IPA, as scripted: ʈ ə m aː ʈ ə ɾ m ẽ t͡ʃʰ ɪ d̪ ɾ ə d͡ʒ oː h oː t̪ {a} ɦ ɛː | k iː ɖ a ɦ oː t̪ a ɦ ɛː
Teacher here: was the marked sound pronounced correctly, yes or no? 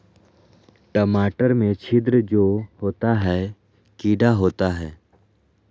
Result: yes